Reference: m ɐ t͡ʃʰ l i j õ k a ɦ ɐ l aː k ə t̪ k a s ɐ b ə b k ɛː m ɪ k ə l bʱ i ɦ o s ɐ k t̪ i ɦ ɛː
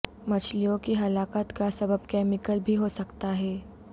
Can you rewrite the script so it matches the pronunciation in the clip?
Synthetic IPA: m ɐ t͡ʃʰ l i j õ k i ɦ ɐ l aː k ə t̪ k a s ɐ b ə b k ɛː m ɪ k ə l bʱ i ɦ o s ɐ k t̪ a ɦ ɛː